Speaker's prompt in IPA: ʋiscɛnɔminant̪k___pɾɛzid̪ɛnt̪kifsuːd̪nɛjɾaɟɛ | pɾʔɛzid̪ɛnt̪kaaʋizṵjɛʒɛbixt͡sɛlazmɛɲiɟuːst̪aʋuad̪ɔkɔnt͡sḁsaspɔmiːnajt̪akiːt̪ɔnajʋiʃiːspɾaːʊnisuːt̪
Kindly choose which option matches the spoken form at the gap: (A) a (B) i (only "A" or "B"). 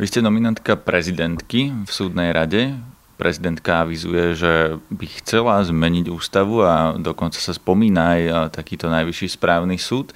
A